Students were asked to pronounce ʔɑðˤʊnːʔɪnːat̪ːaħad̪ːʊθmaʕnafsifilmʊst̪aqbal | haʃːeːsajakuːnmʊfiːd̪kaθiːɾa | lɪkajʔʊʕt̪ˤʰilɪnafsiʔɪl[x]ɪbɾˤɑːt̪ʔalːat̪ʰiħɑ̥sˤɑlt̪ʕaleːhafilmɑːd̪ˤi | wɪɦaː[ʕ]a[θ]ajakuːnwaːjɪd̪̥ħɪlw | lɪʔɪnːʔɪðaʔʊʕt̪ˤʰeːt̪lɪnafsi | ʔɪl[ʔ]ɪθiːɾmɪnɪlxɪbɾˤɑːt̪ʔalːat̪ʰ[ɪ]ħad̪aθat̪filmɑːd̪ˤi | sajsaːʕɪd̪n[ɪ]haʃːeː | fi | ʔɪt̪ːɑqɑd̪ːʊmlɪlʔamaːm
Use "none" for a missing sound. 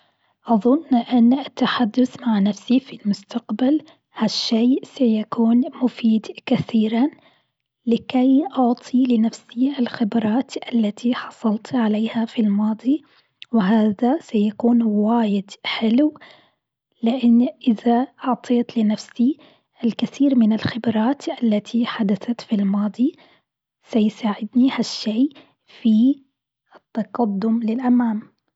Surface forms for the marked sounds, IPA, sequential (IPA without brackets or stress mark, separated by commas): x, ð, s, k, i, i